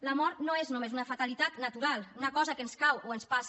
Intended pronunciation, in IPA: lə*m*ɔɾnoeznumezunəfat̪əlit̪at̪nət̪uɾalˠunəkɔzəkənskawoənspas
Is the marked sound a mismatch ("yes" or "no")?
no